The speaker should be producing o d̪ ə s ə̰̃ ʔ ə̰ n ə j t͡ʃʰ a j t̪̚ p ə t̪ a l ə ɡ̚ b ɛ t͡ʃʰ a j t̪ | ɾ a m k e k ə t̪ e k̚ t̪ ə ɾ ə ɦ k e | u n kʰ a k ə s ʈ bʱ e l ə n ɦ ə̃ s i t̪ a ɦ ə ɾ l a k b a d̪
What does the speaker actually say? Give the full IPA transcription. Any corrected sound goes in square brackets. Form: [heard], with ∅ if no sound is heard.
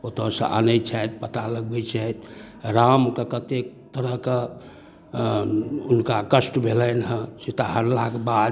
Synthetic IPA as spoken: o [t̪] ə s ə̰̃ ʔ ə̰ n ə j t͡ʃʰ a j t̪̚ p ə t̪ a l ə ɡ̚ b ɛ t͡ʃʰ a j t̪ | ɾ a m k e k ə t̪ e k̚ t̪ ə ɾ ə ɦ k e | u n [k] a k ə s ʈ bʱ e l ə n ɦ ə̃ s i t̪ a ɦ ə ɾ l a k b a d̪